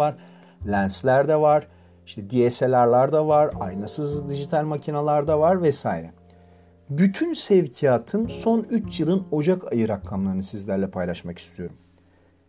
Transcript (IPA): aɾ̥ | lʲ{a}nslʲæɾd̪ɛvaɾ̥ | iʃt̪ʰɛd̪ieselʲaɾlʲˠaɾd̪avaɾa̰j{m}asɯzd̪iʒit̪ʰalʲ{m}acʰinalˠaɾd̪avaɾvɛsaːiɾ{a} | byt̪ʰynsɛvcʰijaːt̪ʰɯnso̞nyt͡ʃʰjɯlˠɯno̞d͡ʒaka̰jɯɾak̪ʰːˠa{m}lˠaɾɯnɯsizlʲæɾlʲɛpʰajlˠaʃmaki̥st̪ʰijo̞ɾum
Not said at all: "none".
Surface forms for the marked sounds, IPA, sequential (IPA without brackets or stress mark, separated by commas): æ, n, m, ɛ, m